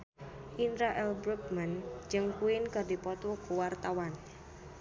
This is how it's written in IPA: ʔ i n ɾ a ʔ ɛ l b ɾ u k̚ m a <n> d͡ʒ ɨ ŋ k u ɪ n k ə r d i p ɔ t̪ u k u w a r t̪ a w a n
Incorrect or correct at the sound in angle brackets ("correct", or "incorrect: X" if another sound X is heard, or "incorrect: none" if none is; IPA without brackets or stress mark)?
correct